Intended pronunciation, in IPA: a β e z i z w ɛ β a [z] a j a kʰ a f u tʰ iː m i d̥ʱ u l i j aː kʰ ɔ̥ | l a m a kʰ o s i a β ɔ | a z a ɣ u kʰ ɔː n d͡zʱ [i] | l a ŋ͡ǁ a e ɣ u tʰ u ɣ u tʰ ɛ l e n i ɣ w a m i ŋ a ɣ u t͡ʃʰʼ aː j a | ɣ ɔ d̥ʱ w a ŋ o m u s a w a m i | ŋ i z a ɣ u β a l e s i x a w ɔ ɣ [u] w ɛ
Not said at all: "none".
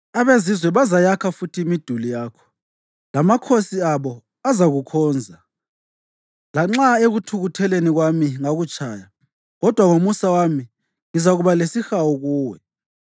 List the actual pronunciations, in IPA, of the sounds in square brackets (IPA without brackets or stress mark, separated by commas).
z, a, uː